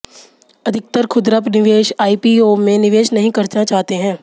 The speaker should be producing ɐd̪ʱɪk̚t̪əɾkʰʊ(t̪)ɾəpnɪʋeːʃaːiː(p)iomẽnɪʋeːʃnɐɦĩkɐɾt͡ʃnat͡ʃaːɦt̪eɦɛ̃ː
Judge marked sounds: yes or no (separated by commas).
no, yes